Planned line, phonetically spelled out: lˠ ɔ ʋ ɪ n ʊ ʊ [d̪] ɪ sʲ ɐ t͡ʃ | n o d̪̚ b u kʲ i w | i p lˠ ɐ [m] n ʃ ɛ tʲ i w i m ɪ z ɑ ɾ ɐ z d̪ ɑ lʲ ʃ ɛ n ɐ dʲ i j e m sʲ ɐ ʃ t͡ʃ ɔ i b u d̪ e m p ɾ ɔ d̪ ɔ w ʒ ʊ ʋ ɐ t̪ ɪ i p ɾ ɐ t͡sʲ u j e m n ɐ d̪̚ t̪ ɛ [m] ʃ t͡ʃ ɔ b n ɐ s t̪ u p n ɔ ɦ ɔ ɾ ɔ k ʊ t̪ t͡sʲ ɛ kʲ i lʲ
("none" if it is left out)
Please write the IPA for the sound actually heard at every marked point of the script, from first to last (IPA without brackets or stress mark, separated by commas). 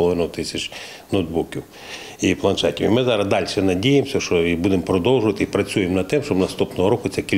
t̪, none, m